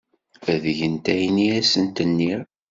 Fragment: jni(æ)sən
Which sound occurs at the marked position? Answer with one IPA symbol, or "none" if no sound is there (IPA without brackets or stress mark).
æ